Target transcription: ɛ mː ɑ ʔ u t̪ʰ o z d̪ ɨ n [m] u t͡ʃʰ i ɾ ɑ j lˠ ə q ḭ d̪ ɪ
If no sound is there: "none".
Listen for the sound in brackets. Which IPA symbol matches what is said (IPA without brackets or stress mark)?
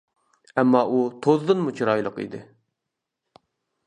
m